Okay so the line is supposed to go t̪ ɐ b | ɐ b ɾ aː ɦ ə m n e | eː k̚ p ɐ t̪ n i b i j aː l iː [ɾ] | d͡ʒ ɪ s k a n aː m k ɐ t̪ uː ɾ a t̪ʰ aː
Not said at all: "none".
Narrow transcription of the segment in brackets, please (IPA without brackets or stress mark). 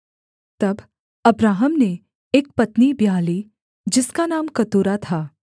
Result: none